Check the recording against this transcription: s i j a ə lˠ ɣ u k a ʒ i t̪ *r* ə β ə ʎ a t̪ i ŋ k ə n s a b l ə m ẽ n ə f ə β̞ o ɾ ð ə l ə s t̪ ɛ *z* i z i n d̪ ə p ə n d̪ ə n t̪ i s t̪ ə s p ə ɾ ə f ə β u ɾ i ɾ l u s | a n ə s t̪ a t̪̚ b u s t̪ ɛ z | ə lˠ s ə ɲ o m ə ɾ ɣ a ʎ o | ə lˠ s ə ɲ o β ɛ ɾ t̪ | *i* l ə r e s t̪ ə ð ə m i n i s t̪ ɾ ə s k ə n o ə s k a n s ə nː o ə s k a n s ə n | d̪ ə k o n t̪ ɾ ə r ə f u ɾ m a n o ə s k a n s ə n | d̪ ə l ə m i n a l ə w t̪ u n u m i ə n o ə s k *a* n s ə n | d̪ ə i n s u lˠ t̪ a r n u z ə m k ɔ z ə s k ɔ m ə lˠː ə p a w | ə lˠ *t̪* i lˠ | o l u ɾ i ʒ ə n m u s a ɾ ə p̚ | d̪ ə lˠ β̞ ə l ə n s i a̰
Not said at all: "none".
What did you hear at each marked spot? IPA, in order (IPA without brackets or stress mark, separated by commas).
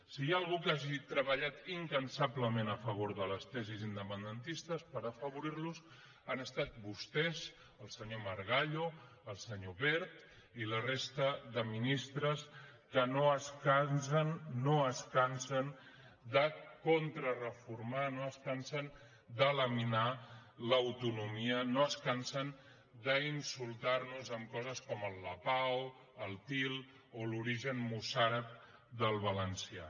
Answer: ɾ, z, i, a, t̪